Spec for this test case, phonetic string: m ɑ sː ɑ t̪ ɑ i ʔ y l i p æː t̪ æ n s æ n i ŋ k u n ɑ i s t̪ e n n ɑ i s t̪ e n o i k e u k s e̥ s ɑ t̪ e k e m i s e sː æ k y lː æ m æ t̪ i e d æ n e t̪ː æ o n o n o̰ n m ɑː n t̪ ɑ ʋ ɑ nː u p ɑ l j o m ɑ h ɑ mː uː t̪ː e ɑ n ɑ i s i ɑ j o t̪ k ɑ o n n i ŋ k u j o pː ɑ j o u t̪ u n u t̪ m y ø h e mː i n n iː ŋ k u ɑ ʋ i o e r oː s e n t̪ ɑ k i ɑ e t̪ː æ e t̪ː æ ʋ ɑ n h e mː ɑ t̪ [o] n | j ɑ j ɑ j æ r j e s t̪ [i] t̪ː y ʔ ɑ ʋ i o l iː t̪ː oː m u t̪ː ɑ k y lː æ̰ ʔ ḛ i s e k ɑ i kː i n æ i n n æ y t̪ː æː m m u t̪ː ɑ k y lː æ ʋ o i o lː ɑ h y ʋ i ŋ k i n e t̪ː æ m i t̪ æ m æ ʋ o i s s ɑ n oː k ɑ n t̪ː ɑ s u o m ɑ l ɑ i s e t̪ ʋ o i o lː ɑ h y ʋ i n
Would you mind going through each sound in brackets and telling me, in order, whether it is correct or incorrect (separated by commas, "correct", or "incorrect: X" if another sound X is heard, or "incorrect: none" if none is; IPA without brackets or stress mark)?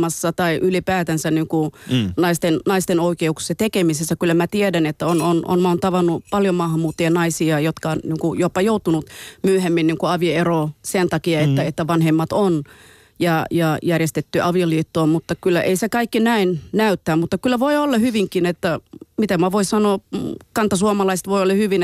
correct, incorrect: e